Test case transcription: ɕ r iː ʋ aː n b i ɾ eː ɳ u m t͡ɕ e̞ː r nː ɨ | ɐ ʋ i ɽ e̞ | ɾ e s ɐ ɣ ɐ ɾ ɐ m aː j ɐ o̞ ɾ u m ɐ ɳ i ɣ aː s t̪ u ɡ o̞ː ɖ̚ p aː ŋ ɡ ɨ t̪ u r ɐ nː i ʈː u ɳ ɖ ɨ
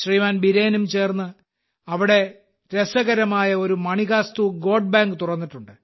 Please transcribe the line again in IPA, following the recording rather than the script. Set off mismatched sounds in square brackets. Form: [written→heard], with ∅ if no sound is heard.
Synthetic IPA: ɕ r iː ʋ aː n b i ɾ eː [ɳ→n] u m t͡ɕ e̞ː r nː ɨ | ɐ ʋ i ɽ e̞ | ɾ e s ɐ ɣ ɐ ɾ ɐ m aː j ɐ o̞ ɾ u m ɐ ɳ i ɣ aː s t̪ u ɡ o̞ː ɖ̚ [p→b] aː ŋ ɡ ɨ t̪ u r ɐ nː i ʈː u ɳ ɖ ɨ

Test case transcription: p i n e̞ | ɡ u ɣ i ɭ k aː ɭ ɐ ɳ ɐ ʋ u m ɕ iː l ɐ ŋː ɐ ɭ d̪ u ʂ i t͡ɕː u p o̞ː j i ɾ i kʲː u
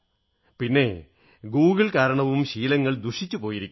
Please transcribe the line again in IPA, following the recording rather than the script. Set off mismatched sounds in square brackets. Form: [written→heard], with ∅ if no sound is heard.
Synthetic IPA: p i [n→nː] e̞ | ɡ [u→uː] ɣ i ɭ k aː [ɭ→ɾ] ɐ ɳ ɐ ʋ u m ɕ iː l ɐ ŋː ɐ ɭ d̪ u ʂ i t͡ɕː u p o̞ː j i ɾ i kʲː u

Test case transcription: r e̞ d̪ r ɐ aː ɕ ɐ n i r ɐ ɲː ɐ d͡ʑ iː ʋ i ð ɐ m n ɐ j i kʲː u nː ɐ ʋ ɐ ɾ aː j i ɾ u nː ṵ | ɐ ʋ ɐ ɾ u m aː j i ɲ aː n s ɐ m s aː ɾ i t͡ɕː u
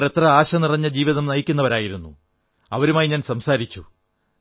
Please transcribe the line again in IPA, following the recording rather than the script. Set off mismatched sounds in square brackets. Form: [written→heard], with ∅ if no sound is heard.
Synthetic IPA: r e̞ [d̪→t̪] r ɐ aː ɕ ɐ n i r ɐ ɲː ɐ d͡ʑ iː ʋ i ð ɐ m n ɐ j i kʲː u nː ɐ ʋ ɐ ɾ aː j i ɾ u nː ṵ | ɐ ʋ ɐ ɾ u m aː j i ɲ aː n s ɐ m s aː ɾ i t͡ɕː u

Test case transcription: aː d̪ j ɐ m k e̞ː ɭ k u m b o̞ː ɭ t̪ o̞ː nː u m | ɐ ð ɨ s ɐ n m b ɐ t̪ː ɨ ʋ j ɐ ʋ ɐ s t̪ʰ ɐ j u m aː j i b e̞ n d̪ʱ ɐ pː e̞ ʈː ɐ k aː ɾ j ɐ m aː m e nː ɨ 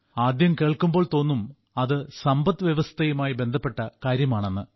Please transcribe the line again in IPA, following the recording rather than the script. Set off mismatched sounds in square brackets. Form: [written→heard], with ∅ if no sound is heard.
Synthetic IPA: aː d̪ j ɐ m k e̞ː ɭ k u m b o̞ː ɭ t̪ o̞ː nː u m | ɐ ð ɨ s ɐ [n→∅] m b ɐ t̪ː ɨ ʋ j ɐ ʋ ɐ s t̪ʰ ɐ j u m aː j i b e̞ n d̪ʱ ɐ pː e̞ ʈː ɐ k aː ɾ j ɐ m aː [m→ɳ] e nː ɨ

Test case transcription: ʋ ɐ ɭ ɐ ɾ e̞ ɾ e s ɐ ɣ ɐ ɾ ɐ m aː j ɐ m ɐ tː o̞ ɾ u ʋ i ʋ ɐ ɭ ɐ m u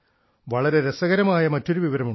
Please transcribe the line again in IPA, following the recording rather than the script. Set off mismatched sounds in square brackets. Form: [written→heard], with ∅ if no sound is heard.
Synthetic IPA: ʋ ɐ ɭ ɐ ɾ e̞ ɾ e s ɐ ɣ ɐ ɾ ɐ m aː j ɐ m ɐ tː o̞ ɾ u ʋ i ʋ ɐ [ɭ→ɾ] ɐ m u

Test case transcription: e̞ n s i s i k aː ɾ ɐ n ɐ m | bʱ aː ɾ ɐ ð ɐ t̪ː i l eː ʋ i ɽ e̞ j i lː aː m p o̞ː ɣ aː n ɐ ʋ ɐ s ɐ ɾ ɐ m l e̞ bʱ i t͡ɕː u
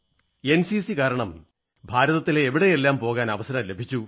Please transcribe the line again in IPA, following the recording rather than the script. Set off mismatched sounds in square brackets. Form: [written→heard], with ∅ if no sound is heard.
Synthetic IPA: e̞ n s i s i k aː ɾ ɐ [n→ɳ] ɐ m | bʱ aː ɾ ɐ ð ɐ t̪ː i l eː ʋ i ɽ e̞ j [i→e] lː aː m p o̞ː ɣ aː n ɐ ʋ ɐ s ɐ ɾ ɐ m l e̞ bʱ i t͡ɕː u

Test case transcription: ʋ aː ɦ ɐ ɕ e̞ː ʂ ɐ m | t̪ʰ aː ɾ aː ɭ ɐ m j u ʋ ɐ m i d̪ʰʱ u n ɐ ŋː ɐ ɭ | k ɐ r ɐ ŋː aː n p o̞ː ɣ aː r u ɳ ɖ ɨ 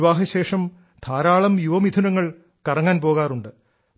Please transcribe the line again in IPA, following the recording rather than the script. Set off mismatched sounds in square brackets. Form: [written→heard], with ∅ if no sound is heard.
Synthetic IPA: ʋ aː ɦ ɐ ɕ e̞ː ʂ ɐ m | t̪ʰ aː ɾ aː ɭ ɐ m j u ʋ ɐ m i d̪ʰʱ u n ɐ ŋː ɐ ɭ | k ɐ r ɐ ŋː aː n p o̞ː ɣ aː r u ɳ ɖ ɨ

